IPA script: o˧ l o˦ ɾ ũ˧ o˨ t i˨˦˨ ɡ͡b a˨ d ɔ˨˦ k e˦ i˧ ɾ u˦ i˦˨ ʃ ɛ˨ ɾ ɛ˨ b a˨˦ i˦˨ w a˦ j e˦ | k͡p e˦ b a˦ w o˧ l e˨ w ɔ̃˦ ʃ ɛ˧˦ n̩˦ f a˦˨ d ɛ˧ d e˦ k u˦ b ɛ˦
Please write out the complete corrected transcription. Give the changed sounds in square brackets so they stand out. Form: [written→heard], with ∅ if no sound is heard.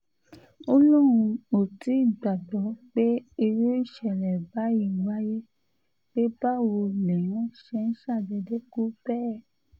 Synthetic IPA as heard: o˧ l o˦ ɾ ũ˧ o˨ t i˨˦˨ ɡ͡b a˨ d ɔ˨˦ [k→k͡p] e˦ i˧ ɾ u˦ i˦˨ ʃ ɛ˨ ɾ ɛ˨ b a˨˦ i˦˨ w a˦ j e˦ | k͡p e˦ b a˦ w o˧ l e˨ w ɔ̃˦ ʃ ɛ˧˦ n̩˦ [f→ʃ] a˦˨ d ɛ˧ d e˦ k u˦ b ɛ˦

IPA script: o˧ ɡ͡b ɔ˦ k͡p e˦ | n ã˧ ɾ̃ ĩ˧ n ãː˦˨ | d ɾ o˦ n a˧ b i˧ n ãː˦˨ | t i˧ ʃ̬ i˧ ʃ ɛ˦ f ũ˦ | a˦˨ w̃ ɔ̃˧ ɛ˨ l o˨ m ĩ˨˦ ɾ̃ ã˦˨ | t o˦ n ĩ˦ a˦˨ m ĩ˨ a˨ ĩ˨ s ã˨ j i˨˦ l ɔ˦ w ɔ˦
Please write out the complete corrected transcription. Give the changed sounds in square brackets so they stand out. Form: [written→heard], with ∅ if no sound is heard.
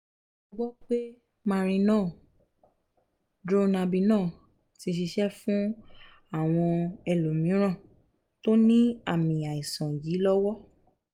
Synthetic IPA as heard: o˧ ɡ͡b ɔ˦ k͡p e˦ | [n→m] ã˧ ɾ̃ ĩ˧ n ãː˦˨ | d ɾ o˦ n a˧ b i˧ n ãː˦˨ | t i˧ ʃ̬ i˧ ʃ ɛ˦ f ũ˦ | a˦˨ w̃ ɔ̃˧ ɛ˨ l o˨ m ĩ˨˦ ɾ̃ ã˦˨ | t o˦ n ĩ˦ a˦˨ m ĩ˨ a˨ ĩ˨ s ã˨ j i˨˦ l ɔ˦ w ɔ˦

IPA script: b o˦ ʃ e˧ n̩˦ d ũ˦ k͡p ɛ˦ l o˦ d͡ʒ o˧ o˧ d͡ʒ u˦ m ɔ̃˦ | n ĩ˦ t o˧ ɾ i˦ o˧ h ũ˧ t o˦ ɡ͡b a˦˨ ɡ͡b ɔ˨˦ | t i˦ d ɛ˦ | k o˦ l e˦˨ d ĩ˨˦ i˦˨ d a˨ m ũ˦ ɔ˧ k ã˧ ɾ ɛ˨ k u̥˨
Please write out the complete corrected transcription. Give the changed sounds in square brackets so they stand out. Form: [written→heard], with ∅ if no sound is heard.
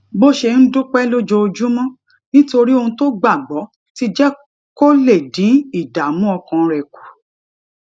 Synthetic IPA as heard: b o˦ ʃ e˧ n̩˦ d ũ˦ k͡p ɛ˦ l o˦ d͡ʒ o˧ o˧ d͡ʒ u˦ m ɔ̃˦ | n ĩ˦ t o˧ ɾ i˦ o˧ h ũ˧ t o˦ ɡ͡b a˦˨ ɡ͡b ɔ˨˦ | t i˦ [d→d͡ʒ] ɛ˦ | k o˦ l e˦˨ d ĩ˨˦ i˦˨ d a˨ m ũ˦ ɔ˧ k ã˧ ɾ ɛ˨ k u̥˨

